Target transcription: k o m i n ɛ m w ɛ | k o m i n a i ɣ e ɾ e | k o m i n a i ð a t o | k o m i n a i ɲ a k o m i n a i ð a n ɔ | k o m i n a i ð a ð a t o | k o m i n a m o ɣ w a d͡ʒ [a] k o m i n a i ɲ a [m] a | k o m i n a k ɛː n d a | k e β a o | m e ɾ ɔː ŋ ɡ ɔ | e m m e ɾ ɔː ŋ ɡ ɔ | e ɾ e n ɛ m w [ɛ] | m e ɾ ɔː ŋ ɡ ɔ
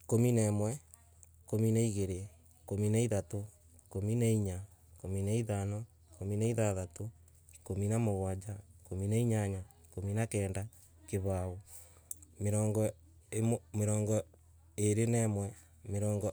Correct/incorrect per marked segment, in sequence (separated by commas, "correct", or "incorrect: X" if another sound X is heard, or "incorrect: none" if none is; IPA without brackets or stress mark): correct, incorrect: ɲ, correct